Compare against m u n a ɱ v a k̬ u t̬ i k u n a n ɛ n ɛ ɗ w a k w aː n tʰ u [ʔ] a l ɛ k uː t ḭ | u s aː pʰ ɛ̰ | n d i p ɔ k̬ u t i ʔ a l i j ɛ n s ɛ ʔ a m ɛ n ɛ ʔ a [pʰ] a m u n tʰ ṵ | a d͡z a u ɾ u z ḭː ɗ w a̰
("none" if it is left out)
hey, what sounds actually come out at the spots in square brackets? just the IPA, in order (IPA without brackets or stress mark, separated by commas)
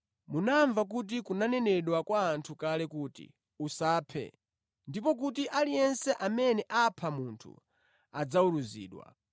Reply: k, pʰ